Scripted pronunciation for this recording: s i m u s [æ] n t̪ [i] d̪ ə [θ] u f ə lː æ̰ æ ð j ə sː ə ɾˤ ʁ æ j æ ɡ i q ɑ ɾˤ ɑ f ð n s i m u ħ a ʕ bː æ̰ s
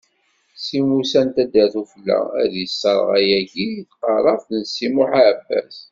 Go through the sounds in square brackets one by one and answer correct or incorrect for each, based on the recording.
correct, incorrect, correct

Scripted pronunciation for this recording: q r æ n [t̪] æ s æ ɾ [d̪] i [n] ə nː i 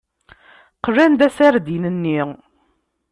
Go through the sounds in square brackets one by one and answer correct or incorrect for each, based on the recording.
incorrect, correct, correct

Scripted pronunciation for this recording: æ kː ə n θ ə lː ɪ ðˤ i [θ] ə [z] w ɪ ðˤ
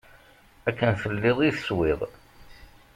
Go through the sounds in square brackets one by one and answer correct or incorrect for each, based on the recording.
correct, incorrect

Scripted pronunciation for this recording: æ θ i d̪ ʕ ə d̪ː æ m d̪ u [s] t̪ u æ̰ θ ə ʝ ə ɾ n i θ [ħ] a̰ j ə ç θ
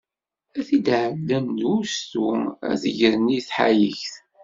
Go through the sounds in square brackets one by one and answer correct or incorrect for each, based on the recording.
correct, correct

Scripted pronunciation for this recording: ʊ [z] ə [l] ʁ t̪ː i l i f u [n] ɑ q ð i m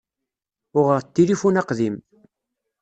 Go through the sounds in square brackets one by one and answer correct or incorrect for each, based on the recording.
incorrect, incorrect, correct

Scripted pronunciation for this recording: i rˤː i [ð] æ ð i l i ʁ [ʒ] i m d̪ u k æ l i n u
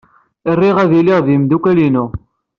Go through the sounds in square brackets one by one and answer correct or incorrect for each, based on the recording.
incorrect, incorrect

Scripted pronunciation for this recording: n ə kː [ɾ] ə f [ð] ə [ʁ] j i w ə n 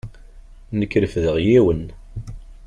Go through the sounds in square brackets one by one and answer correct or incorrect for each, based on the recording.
correct, correct, correct

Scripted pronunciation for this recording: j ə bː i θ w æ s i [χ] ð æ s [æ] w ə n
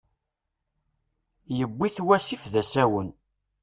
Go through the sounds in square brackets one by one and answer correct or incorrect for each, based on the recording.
incorrect, correct

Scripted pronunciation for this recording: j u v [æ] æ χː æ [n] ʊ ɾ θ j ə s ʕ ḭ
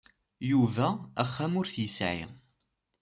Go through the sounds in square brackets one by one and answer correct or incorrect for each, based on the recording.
correct, incorrect

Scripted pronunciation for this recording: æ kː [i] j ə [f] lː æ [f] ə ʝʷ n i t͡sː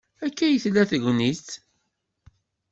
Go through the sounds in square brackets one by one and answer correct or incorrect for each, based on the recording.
incorrect, incorrect, incorrect

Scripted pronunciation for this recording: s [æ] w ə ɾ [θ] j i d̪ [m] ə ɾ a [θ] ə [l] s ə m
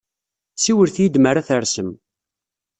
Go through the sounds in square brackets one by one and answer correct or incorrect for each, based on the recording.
incorrect, correct, correct, correct, incorrect

